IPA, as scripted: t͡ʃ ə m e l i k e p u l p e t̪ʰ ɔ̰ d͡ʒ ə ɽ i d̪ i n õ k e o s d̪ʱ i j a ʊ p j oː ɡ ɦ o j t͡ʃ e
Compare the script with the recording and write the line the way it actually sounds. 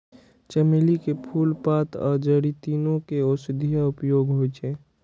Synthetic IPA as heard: t͡ʃ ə m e l i k e pʰ u l p a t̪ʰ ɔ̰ d͡ʒ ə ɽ i t̪ i n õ k e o s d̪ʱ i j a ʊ p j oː ɡ ɦ o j t͡ʃ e